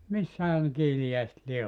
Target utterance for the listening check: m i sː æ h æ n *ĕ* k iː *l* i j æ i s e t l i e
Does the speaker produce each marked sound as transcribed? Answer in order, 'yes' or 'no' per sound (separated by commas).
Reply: yes, yes